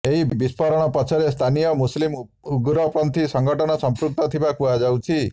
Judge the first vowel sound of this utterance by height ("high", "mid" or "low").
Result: mid